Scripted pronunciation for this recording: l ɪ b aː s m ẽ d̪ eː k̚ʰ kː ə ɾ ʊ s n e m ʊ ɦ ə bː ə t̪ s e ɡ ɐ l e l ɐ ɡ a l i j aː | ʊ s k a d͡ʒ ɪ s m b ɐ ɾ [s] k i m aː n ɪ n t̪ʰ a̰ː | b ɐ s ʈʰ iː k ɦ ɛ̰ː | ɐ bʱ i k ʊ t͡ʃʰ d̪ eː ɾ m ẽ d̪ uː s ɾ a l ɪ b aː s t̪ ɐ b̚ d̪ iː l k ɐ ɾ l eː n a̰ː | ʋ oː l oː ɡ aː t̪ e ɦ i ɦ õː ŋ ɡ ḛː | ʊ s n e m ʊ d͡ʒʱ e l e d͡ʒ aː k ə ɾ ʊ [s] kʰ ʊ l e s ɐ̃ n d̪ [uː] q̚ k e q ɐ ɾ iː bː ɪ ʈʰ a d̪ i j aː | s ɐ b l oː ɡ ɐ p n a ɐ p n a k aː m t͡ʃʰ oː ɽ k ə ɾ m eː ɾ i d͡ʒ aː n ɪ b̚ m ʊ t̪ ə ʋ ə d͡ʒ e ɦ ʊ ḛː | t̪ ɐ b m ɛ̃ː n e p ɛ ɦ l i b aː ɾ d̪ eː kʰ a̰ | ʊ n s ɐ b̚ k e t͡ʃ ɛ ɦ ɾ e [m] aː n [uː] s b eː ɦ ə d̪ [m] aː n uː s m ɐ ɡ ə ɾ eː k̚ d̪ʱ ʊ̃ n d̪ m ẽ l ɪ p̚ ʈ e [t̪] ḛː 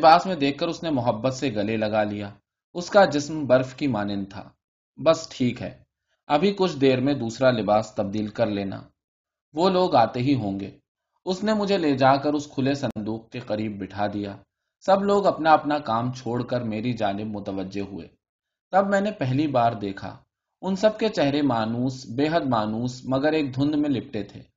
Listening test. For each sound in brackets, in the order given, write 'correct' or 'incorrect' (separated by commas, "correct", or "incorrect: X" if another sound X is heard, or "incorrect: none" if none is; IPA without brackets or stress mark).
incorrect: f, correct, correct, correct, correct, correct, incorrect: t̪ʰ